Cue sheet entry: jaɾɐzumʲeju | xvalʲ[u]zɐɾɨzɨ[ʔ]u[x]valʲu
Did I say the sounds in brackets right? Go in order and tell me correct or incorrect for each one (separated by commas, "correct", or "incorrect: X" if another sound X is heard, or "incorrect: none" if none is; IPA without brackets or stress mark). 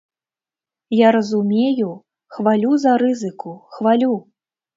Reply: correct, incorrect: k, correct